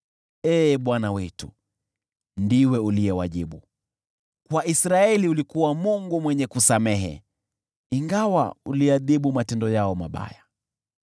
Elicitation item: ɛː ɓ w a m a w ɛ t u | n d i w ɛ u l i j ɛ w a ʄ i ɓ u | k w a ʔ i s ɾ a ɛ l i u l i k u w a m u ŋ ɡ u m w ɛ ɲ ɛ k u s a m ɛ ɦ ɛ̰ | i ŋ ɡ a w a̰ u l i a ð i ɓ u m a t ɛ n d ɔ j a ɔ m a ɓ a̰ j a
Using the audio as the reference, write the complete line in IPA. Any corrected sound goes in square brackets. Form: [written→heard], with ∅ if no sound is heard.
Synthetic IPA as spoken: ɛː ɓ w a [m→n] a w ɛ t u | n d i w ɛ u l i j ɛ w a ʄ i ɓ u | k w a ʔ i s ɾ a ɛ l i u l i k u w a m u ŋ ɡ u m w ɛ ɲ ɛ k u s a m ɛ ɦ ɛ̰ | i ŋ ɡ a w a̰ u l i a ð i ɓ u m a t ɛ n d ɔ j a ɔ m a ɓ a̰ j a